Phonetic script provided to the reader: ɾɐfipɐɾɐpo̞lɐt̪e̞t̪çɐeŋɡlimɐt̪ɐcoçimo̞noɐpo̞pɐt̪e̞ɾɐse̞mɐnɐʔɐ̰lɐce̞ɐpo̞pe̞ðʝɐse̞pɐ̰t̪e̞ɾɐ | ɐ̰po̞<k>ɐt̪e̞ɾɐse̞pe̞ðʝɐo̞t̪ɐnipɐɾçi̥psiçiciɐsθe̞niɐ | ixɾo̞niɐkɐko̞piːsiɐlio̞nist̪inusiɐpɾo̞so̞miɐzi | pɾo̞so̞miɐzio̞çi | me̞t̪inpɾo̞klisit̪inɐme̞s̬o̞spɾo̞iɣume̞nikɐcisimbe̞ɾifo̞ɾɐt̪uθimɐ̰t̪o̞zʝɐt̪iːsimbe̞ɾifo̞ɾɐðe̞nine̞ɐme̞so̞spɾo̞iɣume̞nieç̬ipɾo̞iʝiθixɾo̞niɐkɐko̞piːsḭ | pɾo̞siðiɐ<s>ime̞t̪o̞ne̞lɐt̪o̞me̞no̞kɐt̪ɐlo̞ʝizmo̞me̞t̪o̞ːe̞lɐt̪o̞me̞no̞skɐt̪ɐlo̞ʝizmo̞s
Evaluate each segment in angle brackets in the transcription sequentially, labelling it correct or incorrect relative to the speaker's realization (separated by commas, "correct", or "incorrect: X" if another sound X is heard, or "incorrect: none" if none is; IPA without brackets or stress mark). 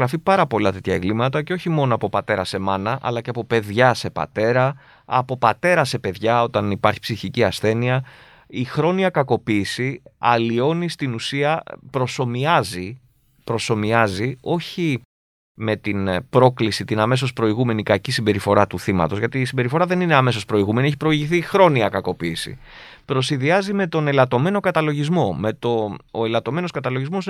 incorrect: p, incorrect: z